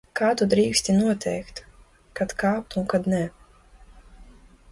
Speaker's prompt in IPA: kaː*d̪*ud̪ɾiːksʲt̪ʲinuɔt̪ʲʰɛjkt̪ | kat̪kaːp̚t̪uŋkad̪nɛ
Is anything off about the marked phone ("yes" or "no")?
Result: yes